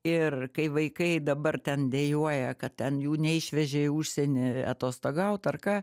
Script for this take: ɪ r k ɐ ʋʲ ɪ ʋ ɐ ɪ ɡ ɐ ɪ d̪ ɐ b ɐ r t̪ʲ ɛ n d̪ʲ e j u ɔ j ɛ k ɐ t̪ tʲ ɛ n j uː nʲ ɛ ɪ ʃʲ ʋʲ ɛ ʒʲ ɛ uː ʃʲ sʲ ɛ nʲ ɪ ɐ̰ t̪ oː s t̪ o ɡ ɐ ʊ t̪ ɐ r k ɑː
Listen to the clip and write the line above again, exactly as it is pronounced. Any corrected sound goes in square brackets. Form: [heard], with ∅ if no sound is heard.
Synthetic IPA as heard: ɪ r k ɐ [∅] ɪ ʋ ɐ ɪ [k] ɐ ɪ d̪ ɐ b ɐ r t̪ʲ ɛ n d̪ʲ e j u ɔ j ɛ k ɐ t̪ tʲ ɛ n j uː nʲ ɛ ɪ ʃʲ ʋʲ ɛ ʒʲ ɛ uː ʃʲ sʲ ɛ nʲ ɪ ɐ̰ t̪ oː s t̪ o ɡ ɐ ʊ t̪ ɐ r k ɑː